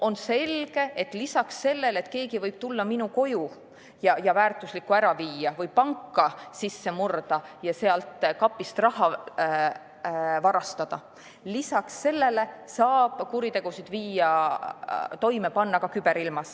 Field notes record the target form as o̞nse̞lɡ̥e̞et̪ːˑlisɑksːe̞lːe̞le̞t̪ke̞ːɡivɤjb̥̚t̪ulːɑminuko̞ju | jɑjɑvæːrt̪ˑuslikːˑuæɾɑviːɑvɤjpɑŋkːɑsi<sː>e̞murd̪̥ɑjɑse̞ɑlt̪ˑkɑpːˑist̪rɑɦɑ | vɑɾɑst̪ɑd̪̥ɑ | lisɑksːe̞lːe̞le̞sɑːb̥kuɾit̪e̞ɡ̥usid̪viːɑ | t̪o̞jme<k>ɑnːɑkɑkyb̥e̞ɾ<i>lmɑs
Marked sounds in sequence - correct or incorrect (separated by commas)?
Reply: correct, incorrect, correct